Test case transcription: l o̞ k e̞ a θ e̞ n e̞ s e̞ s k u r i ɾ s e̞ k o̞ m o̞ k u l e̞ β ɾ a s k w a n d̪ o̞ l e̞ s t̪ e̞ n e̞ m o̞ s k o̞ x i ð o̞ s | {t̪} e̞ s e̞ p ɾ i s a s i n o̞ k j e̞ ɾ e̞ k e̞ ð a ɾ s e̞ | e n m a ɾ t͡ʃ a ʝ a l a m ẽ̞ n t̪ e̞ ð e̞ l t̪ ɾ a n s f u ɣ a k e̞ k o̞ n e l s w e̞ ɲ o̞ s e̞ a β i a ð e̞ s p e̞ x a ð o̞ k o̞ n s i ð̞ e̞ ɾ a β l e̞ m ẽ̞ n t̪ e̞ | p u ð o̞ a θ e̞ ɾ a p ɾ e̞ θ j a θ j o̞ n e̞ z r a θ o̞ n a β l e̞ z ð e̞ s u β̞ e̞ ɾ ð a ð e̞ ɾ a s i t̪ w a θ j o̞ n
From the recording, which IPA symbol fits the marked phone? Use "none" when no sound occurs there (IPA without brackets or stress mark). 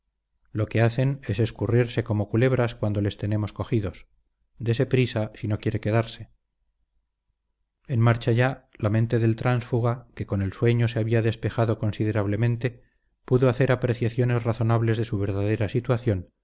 d̪